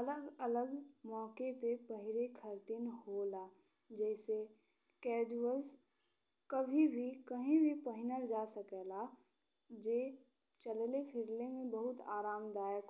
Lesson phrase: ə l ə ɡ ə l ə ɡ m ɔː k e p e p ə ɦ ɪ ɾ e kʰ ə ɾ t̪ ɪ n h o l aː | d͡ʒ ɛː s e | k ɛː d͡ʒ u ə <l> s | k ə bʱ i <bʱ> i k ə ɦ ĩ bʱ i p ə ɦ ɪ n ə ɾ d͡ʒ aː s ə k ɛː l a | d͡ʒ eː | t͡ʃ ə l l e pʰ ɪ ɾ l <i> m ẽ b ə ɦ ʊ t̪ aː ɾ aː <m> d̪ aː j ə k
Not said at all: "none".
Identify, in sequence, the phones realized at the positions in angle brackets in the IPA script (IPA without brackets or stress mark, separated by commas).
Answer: l, bʱ, e, m